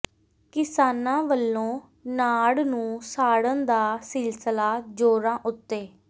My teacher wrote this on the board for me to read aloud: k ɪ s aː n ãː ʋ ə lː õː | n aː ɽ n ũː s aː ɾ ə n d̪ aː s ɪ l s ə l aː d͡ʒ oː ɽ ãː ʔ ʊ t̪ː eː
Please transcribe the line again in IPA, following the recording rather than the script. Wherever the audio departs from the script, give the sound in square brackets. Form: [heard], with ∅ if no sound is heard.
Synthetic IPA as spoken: k ɪ s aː n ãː ʋ ə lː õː | n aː ɽ n ũː s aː [ɽ] ə n d̪ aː s ɪ l s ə l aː d͡ʒ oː [ɾ] ãː ʔ ʊ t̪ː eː